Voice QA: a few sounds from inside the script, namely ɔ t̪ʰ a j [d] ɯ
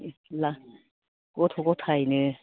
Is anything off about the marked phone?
yes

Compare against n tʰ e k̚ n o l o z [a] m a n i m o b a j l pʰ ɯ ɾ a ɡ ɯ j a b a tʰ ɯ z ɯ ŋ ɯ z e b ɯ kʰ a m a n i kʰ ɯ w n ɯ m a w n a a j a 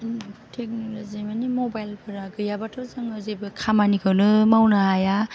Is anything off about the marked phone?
yes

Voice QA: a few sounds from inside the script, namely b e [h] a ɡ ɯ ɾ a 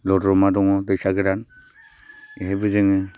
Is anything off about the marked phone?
yes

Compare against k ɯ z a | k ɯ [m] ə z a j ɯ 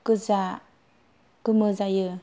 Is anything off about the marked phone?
no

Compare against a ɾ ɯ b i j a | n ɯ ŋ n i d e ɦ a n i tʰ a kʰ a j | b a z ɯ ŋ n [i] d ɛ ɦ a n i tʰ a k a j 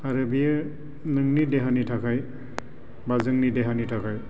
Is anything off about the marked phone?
no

